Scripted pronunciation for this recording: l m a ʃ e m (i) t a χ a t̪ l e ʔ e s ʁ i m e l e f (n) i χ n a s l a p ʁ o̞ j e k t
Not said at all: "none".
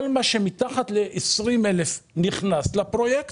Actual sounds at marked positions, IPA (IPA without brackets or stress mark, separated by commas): i, n